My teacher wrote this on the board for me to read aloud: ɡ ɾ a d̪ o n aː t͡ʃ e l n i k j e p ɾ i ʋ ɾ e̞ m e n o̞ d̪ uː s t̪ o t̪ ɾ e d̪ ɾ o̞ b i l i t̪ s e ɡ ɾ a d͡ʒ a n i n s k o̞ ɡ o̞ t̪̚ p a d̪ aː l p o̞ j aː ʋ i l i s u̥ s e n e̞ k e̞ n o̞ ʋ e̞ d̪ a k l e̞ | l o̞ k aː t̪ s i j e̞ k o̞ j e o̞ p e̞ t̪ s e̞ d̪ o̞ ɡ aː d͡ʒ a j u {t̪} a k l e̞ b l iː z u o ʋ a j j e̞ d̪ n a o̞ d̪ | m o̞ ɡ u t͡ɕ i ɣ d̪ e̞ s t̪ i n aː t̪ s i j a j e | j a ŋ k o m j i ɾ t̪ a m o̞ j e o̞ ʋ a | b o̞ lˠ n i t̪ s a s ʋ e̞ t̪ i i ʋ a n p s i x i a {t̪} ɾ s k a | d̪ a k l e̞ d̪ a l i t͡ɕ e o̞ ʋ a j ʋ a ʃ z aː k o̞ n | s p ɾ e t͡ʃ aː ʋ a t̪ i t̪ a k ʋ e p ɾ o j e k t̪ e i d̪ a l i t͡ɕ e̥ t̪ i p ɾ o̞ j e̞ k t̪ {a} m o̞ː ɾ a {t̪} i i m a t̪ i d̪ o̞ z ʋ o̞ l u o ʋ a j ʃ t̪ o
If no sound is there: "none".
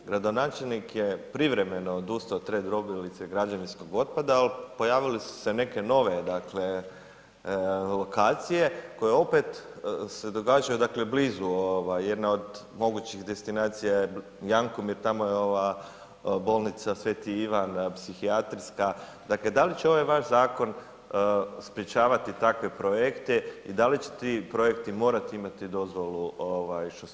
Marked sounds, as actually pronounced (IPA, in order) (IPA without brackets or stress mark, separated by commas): d̪, t̪, i, t̪